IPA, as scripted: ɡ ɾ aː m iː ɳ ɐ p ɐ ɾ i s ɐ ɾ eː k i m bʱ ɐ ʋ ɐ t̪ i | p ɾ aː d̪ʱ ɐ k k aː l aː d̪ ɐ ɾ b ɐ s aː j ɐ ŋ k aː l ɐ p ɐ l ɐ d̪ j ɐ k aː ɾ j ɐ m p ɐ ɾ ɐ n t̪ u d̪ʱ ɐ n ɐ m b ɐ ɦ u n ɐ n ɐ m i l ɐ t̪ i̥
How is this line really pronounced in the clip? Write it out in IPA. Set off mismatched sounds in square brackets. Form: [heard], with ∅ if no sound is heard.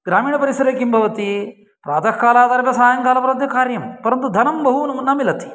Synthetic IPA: ɡ ɾ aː m iː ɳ ɐ p ɐ ɾ i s ɐ ɾ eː k i m bʱ ɐ ʋ ɐ t̪ i | p ɾ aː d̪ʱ ɐ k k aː l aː d̪ ɐ ɾ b ɐ s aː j ɐ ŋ k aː l ɐ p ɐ [ɾ] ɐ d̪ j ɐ k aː ɾ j ɐ m p ɐ ɾ ɐ n t̪ u d̪ʱ ɐ n ɐ m b ɐ ɦ u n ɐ n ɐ m i l ɐ t̪ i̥